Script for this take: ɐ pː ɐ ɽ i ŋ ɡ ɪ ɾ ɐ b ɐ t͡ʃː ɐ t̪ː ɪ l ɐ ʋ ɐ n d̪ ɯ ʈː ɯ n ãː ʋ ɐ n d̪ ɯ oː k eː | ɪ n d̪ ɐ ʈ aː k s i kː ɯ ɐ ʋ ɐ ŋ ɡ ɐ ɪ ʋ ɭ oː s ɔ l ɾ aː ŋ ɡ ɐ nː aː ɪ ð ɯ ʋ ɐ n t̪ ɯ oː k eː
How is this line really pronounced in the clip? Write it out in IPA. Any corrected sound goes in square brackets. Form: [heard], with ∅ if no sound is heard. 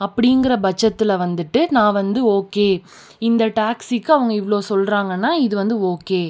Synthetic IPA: ɐ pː ɐ ɽ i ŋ ɡ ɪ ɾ ɐ b ɐ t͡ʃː ɐ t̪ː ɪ l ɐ ʋ ɐ n d̪ ɯ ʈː ɯ n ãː ʋ ɐ n d̪ ɯ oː k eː | ɪ n d̪ ɐ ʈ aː k s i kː ɯ ɐ ʋ ɐ ŋ ɡ ɐ ɪ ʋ ɭ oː s ɔ l ɾ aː ŋ ɡ ɐ nː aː ɪ ð ɯ ʋ ɐ n [d̪] ɯ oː k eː